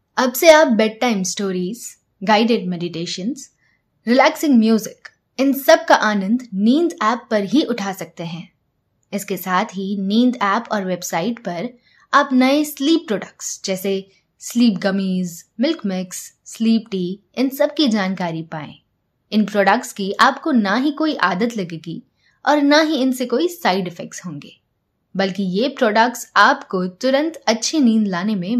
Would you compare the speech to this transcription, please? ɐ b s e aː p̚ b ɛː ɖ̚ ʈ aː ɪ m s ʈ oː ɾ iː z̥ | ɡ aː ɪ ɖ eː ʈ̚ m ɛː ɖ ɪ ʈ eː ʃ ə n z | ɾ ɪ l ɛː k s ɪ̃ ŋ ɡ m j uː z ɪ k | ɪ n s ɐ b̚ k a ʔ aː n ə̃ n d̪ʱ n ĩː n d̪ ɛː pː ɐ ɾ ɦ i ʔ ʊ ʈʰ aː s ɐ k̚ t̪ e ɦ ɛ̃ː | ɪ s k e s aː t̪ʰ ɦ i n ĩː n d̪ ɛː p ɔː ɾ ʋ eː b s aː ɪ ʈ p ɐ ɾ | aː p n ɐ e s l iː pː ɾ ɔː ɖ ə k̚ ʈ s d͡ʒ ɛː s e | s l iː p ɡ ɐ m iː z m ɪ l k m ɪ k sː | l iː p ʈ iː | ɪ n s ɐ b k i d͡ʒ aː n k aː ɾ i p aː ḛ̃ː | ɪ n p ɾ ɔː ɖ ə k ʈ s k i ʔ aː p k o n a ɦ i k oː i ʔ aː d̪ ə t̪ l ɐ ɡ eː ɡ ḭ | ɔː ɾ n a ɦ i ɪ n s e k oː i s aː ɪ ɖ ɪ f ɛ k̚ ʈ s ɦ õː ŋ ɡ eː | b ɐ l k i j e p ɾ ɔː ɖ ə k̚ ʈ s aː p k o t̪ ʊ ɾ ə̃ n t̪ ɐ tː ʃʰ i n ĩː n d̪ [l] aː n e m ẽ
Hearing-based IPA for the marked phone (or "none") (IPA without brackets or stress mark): l